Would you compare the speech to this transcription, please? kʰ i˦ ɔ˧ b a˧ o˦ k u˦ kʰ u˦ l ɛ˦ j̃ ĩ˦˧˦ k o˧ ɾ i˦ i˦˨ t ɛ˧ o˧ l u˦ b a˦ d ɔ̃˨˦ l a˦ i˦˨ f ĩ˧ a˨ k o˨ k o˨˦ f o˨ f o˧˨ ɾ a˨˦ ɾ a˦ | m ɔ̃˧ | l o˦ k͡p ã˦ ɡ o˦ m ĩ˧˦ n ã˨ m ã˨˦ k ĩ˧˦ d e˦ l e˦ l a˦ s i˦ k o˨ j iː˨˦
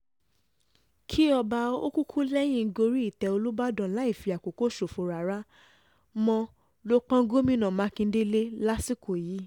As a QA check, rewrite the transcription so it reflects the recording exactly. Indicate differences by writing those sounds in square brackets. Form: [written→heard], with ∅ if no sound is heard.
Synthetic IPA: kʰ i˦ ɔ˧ b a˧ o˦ k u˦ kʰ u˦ l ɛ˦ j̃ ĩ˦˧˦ [k→ɡ] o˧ ɾ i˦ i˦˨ t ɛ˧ o˧ l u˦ b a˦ d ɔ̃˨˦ l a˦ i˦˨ f [ĩ˧→i˧] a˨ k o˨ k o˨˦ [f→ʃ] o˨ f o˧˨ ɾ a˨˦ ɾ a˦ | m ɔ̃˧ | l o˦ k͡p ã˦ ɡ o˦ m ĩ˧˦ n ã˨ m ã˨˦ k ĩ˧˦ d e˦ l e˦ l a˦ s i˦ k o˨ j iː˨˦